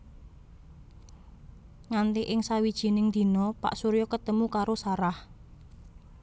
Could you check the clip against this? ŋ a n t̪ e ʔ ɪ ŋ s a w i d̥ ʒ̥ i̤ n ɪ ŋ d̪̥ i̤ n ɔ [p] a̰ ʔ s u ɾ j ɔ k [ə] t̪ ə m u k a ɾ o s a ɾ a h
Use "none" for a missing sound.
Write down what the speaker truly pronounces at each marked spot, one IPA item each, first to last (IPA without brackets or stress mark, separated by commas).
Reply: p, ə